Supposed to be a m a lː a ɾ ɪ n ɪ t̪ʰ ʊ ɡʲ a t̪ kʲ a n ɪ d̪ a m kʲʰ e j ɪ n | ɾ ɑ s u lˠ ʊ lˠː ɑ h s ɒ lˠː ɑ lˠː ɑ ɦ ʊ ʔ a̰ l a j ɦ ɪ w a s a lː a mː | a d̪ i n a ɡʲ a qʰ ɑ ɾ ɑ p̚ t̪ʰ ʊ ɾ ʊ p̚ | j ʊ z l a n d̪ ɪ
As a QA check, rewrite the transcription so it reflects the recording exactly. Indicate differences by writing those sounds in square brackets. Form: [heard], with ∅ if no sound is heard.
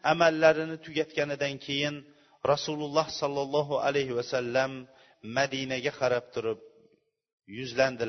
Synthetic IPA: a m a lː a ɾ ɪ n ɪ t̪ʰ ʊ ɡʲ a t̪ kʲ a n ɪ d̪ a [n] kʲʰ e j ɪ n | ɾ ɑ s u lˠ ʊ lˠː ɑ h s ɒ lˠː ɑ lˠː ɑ ɦ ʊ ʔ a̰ l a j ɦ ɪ w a s a lː a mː | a d̪ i n a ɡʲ a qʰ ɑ ɾ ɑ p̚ t̪ʰ ʊ ɾ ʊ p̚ | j ʊ z l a n d̪ ɪ